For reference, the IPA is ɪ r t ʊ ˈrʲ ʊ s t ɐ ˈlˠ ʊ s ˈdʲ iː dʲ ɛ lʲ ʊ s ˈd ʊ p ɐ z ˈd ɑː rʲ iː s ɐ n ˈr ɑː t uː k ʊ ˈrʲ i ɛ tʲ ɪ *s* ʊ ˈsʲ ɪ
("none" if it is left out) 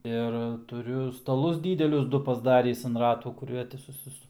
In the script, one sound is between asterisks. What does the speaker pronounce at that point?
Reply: s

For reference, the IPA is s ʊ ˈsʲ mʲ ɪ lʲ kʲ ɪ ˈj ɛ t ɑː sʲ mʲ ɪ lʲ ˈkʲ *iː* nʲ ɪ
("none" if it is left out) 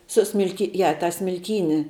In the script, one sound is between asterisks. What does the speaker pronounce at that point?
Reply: iː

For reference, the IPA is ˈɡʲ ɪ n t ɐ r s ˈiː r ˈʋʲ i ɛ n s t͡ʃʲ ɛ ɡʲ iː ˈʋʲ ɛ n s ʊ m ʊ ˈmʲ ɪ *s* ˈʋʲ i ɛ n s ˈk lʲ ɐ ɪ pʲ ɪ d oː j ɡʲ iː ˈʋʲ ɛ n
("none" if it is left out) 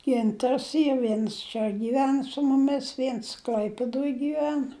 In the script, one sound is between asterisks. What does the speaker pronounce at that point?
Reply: s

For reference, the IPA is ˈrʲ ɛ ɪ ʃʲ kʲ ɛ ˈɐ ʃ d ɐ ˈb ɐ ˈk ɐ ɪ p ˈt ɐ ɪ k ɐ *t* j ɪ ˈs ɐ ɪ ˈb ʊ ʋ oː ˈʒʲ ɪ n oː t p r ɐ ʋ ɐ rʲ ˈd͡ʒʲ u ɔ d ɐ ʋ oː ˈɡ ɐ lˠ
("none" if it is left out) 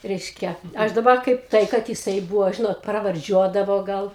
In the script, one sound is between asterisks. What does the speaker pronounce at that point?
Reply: t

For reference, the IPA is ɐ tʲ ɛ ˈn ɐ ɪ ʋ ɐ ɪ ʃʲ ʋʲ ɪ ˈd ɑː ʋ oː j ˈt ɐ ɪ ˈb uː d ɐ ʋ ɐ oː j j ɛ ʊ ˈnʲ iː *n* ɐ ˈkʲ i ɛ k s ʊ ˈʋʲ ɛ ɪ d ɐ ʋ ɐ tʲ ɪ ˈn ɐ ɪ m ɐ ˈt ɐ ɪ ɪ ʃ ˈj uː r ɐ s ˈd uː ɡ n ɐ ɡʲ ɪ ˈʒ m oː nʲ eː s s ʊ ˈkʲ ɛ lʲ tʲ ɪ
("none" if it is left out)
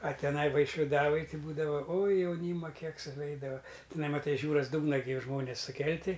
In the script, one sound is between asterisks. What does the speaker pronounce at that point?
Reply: m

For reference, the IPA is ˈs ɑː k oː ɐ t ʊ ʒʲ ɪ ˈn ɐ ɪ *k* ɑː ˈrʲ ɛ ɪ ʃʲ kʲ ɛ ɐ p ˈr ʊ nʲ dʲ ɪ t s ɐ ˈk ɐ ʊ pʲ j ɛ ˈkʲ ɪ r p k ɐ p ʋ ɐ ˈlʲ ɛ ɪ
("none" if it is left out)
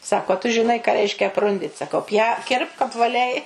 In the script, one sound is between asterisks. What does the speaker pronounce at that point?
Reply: k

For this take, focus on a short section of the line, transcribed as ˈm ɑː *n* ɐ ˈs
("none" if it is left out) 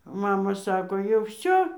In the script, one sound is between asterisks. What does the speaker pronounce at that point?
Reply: m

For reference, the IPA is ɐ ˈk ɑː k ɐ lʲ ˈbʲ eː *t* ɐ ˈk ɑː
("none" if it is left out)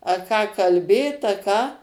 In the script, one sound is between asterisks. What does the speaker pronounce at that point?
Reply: t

